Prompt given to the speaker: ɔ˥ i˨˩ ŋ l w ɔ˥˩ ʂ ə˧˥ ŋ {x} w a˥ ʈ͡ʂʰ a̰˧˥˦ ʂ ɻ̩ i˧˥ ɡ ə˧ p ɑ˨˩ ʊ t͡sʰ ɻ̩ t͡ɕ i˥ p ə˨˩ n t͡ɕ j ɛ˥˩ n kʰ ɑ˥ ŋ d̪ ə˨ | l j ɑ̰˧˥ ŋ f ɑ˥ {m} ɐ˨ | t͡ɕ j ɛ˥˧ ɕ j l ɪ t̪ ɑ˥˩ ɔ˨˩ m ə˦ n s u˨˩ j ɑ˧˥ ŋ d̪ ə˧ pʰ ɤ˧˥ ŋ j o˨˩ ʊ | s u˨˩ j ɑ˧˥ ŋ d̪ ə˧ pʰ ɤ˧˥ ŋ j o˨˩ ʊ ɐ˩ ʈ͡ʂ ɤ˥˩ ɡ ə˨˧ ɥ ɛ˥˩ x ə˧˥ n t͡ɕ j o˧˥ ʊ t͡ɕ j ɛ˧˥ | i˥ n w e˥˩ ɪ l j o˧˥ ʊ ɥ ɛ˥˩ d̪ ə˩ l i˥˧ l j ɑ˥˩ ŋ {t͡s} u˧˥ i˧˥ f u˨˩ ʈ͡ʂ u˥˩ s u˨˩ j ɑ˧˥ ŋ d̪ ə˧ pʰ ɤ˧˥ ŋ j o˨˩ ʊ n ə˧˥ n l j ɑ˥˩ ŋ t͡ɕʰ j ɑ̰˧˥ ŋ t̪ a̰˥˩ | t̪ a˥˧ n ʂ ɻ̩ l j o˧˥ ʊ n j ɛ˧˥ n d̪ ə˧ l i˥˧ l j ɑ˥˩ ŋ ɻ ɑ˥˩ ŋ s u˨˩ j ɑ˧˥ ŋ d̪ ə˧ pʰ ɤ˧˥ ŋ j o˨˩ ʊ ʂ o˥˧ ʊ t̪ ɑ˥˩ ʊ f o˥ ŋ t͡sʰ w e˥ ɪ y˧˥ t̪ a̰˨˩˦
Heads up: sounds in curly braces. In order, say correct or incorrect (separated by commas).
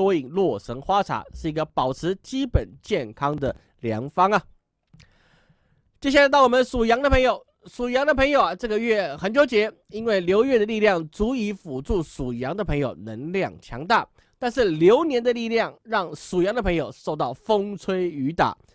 correct, incorrect, correct